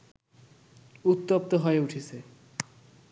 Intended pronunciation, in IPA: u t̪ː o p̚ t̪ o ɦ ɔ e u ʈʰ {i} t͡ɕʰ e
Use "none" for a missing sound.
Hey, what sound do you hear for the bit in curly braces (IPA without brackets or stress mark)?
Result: i